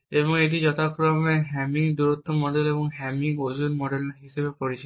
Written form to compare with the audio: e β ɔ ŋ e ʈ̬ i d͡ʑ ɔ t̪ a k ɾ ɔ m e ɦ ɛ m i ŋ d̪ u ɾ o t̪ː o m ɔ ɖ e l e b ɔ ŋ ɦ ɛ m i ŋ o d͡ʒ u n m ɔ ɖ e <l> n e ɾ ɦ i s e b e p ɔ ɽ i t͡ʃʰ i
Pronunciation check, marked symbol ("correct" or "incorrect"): correct